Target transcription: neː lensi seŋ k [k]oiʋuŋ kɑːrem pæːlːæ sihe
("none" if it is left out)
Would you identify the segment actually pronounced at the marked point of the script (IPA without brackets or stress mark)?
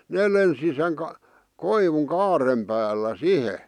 k